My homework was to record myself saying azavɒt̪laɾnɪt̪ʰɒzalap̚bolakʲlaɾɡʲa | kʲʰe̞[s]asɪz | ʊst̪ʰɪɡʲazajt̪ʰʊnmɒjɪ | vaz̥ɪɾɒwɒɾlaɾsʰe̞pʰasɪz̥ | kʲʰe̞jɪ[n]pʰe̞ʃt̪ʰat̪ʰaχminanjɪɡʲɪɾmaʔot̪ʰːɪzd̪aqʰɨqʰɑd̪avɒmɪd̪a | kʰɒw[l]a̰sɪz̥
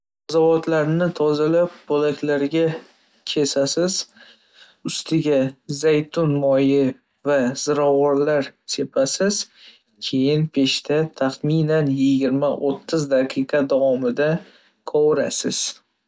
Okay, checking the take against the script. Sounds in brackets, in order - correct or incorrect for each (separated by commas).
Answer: correct, correct, incorrect